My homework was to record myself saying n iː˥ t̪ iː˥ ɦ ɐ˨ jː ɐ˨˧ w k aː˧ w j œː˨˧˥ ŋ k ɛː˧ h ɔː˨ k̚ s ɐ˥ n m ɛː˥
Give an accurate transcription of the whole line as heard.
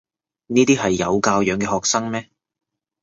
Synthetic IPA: n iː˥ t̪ iː˥ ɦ ɐ˨ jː ɐ˨˧ w k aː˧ w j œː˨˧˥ ŋ k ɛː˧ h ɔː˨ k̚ s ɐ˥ ŋ m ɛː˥